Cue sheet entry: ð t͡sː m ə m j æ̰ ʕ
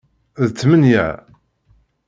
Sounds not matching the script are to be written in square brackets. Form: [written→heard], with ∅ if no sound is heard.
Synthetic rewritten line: ð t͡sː m ə [m→n] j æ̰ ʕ